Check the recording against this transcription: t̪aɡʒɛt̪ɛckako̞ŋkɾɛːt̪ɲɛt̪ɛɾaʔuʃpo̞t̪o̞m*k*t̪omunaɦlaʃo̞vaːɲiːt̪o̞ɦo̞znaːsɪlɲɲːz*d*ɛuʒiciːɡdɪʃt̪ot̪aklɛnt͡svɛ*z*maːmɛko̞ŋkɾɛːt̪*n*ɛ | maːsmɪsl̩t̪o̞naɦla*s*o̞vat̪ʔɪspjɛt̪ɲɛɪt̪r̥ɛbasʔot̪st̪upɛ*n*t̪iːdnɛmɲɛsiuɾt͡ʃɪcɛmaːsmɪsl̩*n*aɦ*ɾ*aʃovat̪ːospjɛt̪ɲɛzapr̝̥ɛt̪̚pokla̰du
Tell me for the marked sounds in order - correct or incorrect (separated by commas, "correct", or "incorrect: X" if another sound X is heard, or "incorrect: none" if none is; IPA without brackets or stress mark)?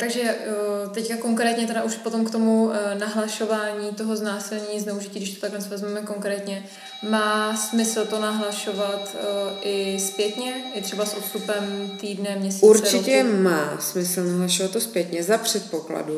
correct, incorrect: n, correct, incorrect: ɲ, incorrect: ʃ, incorrect: m, correct, incorrect: l